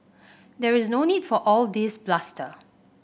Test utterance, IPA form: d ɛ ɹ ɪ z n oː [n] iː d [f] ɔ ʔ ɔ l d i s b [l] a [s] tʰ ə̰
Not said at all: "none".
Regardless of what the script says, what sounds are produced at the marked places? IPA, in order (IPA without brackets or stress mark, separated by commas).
n, f, l, s